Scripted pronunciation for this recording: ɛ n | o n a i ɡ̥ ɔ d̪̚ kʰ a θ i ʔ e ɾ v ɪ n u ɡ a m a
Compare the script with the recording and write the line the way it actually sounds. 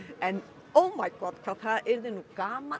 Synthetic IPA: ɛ n | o m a j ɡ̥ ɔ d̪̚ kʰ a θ a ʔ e ɾ ð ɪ n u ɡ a m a